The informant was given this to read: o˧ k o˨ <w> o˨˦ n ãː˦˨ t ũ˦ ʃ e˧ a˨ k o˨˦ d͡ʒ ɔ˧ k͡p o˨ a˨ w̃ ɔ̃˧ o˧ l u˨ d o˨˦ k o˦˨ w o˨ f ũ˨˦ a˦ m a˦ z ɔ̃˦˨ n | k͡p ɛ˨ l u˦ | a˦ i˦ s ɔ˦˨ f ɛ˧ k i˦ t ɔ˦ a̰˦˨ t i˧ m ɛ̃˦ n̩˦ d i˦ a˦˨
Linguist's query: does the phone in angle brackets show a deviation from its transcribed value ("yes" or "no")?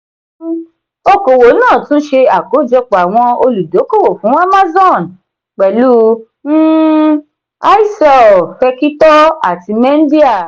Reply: no